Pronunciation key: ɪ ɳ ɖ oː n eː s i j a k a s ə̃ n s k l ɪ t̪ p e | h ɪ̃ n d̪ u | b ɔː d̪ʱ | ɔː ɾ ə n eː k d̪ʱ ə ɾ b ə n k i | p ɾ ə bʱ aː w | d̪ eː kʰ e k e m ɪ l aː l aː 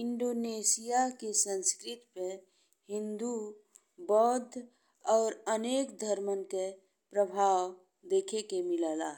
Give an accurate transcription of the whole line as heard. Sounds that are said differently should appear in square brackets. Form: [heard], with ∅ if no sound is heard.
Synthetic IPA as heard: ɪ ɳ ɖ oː n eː s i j a k [e] s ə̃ n s k [ɾ] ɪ t̪ p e | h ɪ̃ n d̪ u | b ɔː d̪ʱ | ɔː ɾ ə n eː k d̪ʱ ə ɾ [m] ə n k [e] | p ɾ ə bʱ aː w | d̪ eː kʰ e k e m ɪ l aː l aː